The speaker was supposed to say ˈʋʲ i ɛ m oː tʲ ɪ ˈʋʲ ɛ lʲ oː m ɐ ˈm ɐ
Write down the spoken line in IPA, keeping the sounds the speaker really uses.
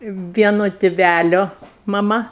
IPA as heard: ˈʋʲ i ɛ n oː tʲ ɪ ˈʋʲ æ lʲ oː m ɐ ˈm ɐ